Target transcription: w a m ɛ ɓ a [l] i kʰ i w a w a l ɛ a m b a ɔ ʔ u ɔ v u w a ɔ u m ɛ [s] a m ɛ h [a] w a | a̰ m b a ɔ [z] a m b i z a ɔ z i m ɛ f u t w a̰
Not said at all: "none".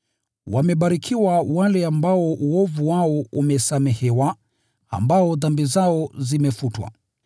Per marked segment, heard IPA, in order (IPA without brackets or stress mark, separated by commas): ɾ, s, ɛ, ð